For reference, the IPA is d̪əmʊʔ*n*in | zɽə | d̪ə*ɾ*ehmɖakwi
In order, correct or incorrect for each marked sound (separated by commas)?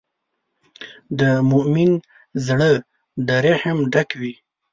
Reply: incorrect, correct